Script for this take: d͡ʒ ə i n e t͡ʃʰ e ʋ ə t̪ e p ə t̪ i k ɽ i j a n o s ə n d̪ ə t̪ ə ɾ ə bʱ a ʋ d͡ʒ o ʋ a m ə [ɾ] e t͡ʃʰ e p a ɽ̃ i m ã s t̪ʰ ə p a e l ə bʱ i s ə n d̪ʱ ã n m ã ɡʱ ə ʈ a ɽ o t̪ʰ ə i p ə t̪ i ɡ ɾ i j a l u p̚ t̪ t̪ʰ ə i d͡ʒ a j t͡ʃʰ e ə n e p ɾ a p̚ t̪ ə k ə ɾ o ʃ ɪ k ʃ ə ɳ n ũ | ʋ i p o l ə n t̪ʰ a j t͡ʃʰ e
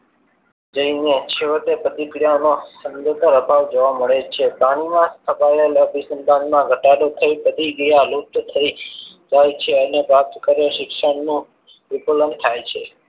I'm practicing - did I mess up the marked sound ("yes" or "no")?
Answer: yes